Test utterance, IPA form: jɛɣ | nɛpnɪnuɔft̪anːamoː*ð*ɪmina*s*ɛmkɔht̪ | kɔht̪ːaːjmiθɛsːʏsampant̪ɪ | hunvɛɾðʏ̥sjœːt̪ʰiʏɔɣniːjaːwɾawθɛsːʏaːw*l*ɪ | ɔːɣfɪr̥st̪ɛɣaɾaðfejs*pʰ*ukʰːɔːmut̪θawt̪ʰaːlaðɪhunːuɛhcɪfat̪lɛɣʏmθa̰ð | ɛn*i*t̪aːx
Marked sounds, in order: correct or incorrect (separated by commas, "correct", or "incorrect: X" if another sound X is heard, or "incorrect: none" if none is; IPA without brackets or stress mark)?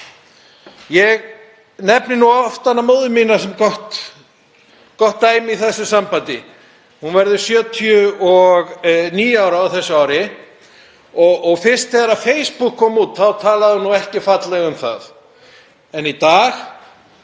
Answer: correct, correct, incorrect: ɾ, incorrect: p, correct